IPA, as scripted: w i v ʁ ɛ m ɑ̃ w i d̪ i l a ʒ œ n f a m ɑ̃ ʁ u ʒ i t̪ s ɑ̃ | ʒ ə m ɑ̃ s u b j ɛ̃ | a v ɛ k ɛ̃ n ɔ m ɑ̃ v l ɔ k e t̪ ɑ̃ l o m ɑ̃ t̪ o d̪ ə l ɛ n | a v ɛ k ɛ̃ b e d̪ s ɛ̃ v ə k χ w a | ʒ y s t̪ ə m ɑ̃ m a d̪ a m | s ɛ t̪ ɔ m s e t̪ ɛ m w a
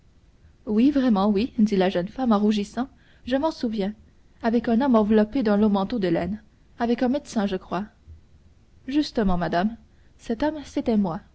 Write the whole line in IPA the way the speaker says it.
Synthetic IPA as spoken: w i v ʁ ɛ m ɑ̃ w i d̪ i l a ʒ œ n f a m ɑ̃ ʁ u ʒ i s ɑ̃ | ʒ ə m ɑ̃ s u v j ɛ̃ | a v ɛ k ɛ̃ n ɔ m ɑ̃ v l ɔ p e d̪ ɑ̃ l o m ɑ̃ t̪ o d̪ ə l ɛ n | a v ɛ k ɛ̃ m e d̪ s ɛ̃ ʒ ə k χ w a | ʒ y s t̪ ə m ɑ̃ m a d̪ a m | s ɛ t̪ ɔ m s e t̪ ɛ m w a

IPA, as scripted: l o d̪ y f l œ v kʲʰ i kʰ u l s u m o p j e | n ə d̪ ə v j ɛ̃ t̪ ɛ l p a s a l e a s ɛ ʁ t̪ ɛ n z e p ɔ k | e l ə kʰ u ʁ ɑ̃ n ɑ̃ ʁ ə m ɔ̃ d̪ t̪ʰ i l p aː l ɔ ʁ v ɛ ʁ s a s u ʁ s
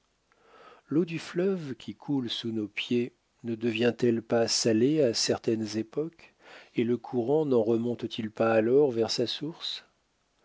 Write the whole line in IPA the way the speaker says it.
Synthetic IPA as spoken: l o d̪ y f l œ v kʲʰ i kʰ u l s u n o p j e | n ə d̪ ə v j ɛ̃ t̪ ɛ l p a s a l e a s ɛ ʁ t̪ ɛ n z e p ɔ k | e l ə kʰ u ʁ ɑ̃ n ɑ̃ ʁ ə m ɔ̃ t̪ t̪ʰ i l p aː l ɔ ʁ v ɛ ʁ s a s u ʁ s

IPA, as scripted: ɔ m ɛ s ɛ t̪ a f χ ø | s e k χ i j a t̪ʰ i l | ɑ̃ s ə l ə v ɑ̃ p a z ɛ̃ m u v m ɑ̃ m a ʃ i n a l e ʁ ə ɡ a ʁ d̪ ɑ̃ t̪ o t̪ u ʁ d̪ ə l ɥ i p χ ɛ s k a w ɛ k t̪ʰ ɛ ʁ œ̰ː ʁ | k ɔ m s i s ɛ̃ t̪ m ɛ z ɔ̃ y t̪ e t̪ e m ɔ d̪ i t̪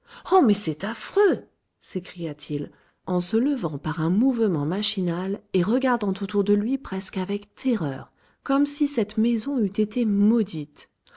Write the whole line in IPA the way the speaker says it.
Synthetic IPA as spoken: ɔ m ɛ s ɛ t̪ a f χ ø | s e k χ i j a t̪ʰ i l | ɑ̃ s ə l ə v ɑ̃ p a ʁ ɛ̃ m u v m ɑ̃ m a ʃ i n a l e ʁ ə ɡ a ʁ d̪ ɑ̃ t̪ o t̪ u ʁ d̪ ə l ɥ i p χ ɛ s k a v ɛ k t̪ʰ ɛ ʁ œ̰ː ʁ | k ɔ m s i s ɛ t̪ m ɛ z ɔ̃ y t̪ e t̪ e m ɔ d̪ i t̪

